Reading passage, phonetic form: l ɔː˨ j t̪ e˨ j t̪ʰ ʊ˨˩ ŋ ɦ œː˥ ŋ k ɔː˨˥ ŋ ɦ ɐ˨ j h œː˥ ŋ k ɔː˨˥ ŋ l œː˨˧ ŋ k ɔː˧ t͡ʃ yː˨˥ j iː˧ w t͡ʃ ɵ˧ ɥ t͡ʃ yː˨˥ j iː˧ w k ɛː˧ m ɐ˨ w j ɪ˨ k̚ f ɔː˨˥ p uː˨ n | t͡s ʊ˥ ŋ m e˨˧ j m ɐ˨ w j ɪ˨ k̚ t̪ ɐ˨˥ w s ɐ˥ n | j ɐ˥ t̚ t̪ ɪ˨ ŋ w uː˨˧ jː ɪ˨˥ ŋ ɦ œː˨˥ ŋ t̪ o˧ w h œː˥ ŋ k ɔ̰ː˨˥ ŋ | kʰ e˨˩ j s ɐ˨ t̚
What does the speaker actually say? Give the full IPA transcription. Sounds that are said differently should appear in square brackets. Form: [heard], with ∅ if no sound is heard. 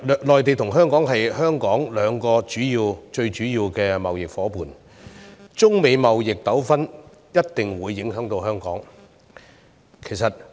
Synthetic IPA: l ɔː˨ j t̪ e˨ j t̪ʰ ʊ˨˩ ŋ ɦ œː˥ ŋ k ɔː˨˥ ŋ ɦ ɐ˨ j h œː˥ ŋ k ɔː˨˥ ŋ l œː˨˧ ŋ k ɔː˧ t͡ʃ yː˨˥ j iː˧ w t͡ʃ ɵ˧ ɥ t͡ʃ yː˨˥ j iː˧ w k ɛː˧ m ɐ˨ w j ɪ˨ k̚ f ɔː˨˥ p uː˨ n | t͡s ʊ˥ ŋ m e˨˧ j m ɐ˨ w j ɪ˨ k̚ t̪ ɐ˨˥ w [f] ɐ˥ n | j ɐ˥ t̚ t̪ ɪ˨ ŋ w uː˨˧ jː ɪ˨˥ ŋ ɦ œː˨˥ ŋ t̪ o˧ w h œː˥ ŋ k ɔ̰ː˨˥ ŋ | kʰ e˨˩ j s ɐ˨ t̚